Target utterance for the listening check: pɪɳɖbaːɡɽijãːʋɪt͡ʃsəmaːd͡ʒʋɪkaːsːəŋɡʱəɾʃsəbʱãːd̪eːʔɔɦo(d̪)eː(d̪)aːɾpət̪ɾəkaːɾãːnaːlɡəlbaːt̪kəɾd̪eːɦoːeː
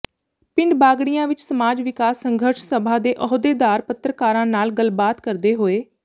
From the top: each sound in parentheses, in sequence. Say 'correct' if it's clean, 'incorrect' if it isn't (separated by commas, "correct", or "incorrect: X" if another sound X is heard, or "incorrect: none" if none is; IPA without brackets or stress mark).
correct, correct